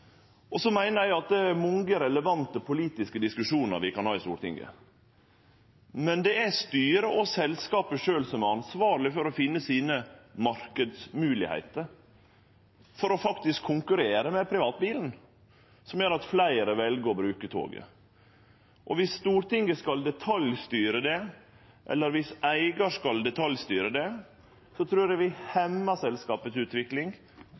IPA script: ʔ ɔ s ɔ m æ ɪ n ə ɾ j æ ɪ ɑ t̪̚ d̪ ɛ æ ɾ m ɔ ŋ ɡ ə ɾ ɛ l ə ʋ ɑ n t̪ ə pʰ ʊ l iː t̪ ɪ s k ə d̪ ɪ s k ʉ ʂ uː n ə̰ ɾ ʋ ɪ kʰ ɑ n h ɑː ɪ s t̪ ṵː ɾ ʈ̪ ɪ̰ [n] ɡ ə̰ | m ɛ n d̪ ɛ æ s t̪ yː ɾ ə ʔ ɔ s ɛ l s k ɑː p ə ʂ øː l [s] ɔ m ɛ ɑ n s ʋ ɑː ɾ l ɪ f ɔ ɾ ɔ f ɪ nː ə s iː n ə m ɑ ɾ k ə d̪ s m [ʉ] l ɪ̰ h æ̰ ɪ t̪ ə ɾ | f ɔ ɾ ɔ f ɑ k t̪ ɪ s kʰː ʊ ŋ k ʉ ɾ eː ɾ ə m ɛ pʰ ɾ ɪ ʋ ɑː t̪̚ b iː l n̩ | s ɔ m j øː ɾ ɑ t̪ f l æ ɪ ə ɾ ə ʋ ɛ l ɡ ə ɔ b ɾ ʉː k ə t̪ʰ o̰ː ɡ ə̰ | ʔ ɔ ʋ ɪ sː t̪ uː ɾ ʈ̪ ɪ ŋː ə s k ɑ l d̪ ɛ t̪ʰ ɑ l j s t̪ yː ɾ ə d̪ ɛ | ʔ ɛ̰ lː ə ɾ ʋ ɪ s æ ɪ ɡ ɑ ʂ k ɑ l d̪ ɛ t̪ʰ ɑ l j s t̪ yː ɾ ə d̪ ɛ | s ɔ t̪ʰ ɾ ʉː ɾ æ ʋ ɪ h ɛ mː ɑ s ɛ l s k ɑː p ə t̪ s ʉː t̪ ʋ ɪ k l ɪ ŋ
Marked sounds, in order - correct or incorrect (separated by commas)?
incorrect, correct, incorrect